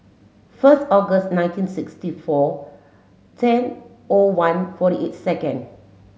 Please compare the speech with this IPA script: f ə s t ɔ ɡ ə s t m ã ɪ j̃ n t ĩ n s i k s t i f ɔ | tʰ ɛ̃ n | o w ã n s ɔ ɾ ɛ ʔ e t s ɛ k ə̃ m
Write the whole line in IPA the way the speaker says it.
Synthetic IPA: f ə s t ɔ ɡ ə s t n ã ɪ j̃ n t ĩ n s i k s t i f ɔ | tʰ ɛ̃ n | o w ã n f ɔ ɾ i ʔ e t s ɛ k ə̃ n